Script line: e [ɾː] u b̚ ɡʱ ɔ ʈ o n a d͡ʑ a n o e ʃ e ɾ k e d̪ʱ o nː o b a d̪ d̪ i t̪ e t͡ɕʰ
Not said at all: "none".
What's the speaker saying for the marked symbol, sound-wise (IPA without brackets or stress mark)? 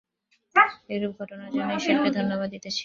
ɾ